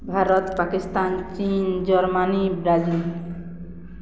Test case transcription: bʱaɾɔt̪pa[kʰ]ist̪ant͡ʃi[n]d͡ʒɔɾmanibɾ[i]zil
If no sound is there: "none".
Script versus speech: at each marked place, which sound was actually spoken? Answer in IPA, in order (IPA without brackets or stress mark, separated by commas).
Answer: k, n, a